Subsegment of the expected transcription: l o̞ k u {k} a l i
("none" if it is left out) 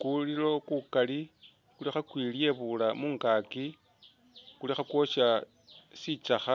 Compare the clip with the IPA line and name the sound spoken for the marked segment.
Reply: k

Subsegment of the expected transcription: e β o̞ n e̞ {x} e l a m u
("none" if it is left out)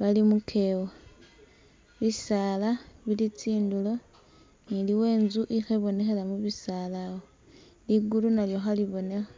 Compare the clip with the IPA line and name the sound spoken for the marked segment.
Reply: x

